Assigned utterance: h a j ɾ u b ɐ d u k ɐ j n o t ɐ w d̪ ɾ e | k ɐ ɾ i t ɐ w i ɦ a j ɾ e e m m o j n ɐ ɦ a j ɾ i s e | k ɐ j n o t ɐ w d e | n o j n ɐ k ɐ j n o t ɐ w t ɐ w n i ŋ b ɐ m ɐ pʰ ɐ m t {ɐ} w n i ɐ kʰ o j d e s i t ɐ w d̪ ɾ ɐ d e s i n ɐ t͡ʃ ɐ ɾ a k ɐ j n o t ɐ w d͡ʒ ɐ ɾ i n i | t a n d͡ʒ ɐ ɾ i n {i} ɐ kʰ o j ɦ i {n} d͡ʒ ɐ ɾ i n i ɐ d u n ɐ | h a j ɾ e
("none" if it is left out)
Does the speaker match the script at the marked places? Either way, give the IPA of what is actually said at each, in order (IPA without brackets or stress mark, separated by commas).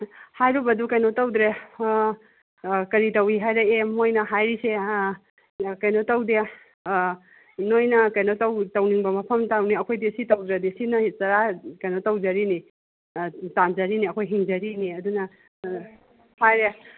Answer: a, i, ŋ